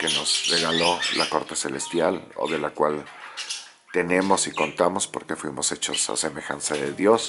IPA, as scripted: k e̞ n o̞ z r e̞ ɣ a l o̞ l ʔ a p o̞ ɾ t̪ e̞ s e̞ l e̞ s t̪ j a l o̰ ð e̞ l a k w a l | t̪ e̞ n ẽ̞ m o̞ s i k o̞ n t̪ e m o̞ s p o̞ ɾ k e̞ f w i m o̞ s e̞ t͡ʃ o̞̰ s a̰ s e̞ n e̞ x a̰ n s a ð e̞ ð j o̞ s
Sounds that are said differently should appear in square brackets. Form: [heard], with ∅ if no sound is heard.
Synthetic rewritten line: k e̞ n o̞ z r e̞ ɣ a l o̞ l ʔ a [k] o̞ ɾ t̪ e̞ s e̞ l e̞ s t̪ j a l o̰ ð e̞ l a k w a l | t̪ e̞ n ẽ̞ m o̞ s i k o̞ n t̪ [a] m o̞ s p o̞ ɾ k e̞ f w i m o̞ s e̞ t͡ʃ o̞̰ s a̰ s e̞ [m] e̞ x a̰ n s a ð e̞ ð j o̞ s